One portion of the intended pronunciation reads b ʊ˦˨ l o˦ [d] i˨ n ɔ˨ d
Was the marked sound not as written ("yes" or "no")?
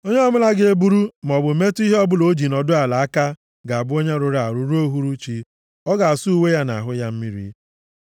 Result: yes